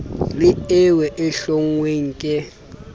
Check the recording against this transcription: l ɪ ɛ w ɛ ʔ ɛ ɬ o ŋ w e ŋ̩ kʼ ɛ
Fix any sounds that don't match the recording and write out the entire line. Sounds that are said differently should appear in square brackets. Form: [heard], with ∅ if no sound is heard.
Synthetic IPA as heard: l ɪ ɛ w ɛ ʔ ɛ ɬ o ŋ w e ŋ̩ kʼ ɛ